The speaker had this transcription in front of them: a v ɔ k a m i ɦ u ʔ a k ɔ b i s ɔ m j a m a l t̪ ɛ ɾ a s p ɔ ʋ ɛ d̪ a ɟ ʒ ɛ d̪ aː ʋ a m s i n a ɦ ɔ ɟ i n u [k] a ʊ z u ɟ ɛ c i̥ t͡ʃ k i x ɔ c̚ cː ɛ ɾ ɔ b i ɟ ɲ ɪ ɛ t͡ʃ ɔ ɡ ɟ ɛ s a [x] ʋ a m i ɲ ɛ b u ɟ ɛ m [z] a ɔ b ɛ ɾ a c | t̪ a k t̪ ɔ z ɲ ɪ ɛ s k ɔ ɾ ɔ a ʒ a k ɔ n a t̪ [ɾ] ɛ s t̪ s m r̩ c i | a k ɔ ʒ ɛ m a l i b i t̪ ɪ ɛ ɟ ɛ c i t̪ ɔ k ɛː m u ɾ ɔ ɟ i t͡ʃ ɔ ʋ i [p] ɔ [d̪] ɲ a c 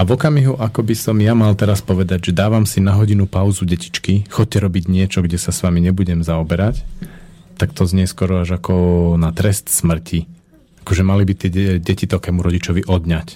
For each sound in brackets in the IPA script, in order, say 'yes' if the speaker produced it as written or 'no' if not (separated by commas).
no, no, yes, yes, no, yes